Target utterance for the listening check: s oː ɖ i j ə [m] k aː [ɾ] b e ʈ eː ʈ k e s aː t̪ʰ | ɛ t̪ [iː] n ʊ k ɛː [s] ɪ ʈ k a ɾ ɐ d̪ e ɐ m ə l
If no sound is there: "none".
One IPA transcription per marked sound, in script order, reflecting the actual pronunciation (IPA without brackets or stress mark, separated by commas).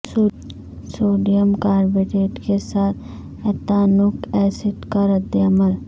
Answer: m, ɾ, aː, s